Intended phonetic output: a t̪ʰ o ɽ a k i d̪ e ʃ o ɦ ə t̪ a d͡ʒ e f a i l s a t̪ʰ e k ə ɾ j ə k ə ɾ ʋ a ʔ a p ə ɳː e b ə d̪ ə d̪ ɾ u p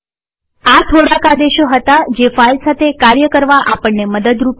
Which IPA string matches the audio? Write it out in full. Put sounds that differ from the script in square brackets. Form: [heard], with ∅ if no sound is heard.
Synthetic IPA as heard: a t̪ʰ o ɽ a k [a] d̪ e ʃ o ɦ ə t̪ a d͡ʒ e f a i l s a t̪ʰ e k [a] ɾ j ə k ə ɾ ʋ a ʔ a p ə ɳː e [m] ə d̪ ə d̪ ɾ u p